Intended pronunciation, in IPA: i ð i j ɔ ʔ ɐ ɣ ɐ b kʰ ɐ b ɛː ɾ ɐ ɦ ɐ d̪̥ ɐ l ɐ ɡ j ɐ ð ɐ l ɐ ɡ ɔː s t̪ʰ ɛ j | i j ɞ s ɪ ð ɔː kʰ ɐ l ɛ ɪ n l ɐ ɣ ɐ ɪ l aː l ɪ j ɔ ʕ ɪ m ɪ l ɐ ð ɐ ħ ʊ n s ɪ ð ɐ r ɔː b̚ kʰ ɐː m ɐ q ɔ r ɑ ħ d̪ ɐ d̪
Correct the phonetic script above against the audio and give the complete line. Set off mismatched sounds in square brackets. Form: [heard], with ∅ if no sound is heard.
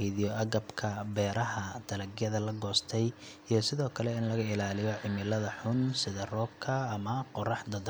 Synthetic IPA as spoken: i ð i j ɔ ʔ ɐ ɣ ɐ b kʰ ɐ b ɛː ɾ ɐ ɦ ɐ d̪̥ ɐ l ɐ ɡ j ɐ ð ɐ l ɐ ɡ ɔː s t̪ʰ ɛ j | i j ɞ s ɪ ð ɔː kʰ ɐ l ɛ ɪ n l ɐ ɣ ɐ ɪ l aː l ɪ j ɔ ʕ ɪ m ɪ l ɐ ð ɐ ħ ʊ n s ɪ ð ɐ r ɔː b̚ kʰ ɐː m ɐ q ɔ r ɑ ħ d̪ ɐ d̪